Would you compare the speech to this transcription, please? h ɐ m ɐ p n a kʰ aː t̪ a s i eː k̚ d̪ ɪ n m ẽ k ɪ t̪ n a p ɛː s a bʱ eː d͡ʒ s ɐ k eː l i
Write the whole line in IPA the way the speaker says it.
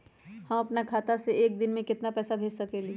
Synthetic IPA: h ɐ m ɐ p n a kʰ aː t̪ a s e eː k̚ d̪ ɪ n m ẽ k ɪ t̪ n a p ɛː s a bʱ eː d͡ʒ s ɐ k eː l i